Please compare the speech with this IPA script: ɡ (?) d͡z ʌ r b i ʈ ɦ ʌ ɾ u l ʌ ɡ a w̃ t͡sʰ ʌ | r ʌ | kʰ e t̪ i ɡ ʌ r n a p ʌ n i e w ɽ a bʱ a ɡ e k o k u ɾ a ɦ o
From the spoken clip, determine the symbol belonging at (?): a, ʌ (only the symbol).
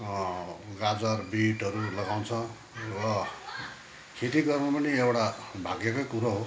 a